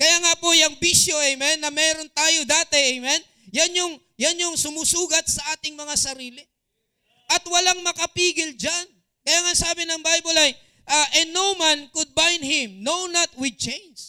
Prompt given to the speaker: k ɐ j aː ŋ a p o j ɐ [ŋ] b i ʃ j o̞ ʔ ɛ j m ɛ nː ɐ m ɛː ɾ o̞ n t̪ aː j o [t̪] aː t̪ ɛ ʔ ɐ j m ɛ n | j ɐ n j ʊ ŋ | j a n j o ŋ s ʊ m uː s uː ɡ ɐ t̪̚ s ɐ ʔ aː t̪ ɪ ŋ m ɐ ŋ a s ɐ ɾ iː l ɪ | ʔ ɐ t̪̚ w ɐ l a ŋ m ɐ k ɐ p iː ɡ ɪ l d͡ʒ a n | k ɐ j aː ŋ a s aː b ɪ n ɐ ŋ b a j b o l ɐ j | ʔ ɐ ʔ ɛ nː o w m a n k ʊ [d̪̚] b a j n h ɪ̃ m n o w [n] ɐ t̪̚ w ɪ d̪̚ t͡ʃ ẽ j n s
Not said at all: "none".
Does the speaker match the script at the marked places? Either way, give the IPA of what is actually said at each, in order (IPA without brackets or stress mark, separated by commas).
ŋ, d̪, d̪̚, n